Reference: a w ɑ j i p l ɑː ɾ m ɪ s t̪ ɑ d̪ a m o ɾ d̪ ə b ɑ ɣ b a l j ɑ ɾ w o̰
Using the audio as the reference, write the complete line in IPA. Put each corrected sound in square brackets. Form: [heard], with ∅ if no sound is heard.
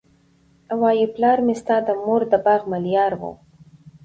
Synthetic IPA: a w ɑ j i p l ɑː ɾ m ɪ s t̪ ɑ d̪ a m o ɾ d̪ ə b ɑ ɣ [m] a l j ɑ ɾ w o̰